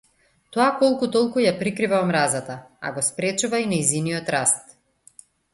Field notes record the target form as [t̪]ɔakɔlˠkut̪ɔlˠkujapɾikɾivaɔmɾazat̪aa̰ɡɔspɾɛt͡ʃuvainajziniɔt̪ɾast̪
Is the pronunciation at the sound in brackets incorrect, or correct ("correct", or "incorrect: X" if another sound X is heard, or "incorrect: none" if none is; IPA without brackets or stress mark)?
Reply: correct